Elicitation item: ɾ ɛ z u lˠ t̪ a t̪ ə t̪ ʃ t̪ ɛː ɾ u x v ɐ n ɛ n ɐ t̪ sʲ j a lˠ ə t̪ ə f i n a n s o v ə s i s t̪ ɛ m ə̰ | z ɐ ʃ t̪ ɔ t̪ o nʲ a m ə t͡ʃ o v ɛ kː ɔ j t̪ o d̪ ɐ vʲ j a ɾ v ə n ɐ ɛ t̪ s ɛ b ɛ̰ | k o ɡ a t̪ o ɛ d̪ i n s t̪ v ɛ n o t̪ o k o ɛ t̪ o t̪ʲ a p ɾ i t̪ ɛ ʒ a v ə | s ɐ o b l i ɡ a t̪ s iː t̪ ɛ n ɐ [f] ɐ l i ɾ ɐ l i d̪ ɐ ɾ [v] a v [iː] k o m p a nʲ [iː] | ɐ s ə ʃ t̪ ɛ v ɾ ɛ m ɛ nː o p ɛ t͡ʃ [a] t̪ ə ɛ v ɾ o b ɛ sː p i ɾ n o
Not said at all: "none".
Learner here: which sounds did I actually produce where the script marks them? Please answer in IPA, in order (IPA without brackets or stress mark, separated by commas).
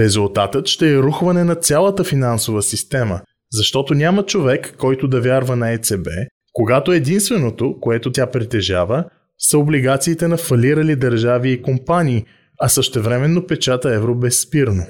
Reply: f, ʒ, iː, iː, a